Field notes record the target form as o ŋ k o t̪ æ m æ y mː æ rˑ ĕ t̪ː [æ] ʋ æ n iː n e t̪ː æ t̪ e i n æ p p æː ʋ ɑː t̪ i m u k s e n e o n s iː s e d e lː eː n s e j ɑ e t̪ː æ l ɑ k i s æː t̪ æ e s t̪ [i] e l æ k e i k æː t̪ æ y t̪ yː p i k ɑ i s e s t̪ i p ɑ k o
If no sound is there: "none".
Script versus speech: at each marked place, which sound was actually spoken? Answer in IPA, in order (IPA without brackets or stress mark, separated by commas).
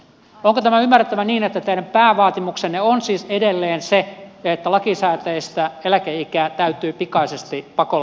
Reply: æ, æ